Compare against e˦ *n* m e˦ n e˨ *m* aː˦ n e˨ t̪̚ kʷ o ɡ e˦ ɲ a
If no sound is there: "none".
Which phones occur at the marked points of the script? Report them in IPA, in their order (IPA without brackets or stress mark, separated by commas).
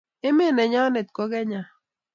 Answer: none, ɲ